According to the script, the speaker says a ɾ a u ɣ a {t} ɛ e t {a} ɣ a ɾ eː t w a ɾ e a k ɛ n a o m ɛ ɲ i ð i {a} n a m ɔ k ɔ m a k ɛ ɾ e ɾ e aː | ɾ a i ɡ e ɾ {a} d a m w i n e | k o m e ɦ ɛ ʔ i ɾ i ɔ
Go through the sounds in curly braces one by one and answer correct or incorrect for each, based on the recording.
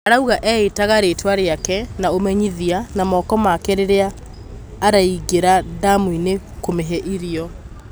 incorrect: ʔ, correct, correct, correct

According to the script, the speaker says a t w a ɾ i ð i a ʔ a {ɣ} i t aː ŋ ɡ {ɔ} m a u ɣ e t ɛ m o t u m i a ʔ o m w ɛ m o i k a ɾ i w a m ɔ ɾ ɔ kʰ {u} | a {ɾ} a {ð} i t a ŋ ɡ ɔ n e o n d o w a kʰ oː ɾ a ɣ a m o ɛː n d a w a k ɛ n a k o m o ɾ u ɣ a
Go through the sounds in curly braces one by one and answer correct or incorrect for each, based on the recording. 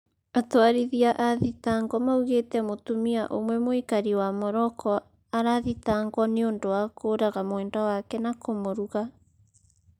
incorrect: ð, correct, incorrect: ɔ, correct, correct

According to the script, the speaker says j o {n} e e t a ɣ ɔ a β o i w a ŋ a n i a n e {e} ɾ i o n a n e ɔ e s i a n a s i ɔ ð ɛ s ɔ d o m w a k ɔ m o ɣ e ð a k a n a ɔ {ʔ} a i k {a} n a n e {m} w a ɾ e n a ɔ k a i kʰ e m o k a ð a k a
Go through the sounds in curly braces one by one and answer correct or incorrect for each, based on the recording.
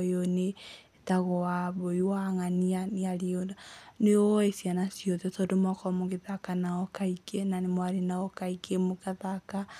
correct, incorrect: a, incorrect: k, incorrect: e, correct

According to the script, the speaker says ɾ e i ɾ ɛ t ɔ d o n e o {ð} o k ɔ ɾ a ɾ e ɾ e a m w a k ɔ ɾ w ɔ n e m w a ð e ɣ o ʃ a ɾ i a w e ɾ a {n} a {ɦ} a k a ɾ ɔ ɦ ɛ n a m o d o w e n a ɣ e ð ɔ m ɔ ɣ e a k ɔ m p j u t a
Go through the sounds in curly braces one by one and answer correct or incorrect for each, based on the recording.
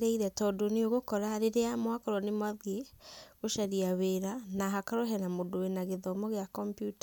incorrect: ɣ, correct, correct

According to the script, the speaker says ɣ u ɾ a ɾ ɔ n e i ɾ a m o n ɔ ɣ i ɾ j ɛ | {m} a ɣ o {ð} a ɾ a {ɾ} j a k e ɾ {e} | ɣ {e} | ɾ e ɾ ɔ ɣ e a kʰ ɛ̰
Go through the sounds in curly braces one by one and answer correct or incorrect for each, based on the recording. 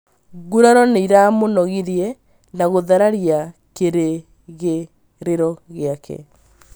incorrect: n, correct, correct, correct, correct

